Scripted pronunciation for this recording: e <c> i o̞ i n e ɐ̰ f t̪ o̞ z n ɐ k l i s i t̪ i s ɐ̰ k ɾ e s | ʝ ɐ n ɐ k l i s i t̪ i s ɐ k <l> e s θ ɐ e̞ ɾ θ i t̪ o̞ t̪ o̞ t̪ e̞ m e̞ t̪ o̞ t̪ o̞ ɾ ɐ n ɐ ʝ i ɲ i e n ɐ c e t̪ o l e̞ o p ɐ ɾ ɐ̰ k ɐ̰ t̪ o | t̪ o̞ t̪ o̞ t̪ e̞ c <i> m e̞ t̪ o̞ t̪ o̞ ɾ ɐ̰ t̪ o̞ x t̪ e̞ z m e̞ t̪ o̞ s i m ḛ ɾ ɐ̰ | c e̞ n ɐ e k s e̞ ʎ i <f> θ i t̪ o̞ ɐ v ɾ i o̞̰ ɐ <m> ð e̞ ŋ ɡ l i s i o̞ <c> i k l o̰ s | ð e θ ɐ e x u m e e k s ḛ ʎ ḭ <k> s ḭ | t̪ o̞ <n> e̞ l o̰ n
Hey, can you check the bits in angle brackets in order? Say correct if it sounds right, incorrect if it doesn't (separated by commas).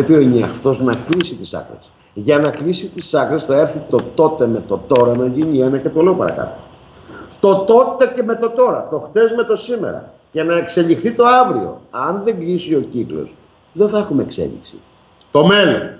incorrect, incorrect, incorrect, incorrect, incorrect, correct, correct, incorrect